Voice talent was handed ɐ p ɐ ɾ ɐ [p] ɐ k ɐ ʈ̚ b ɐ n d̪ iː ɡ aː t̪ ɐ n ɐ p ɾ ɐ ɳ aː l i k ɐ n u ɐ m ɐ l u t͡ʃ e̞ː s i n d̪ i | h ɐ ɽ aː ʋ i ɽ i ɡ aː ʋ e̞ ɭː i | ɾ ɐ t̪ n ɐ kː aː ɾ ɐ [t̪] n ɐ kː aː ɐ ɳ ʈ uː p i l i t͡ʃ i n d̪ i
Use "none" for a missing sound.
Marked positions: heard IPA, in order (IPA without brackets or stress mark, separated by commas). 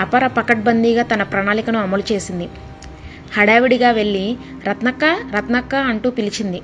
p, t̪